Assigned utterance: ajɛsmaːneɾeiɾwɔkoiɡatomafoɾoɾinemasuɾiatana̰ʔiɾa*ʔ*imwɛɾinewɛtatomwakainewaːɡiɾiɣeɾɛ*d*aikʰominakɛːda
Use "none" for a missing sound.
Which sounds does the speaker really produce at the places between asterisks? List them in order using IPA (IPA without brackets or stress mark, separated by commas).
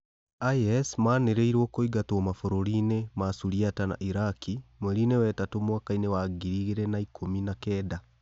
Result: k, n